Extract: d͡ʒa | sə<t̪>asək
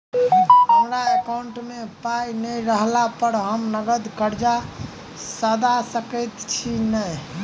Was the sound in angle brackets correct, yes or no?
no